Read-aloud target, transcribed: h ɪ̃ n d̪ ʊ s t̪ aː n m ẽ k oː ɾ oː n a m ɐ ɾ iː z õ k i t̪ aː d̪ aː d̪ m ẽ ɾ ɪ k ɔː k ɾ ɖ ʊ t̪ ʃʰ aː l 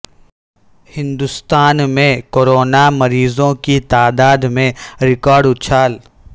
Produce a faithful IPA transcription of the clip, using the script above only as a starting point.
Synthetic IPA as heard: h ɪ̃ n d̪ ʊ s t̪ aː n m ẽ k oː ɾ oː n a m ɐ ɾ iː z õ k i t̪ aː d̪ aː d̪ m ẽ ɾ ɪ k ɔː ɾ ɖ ʊ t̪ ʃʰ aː l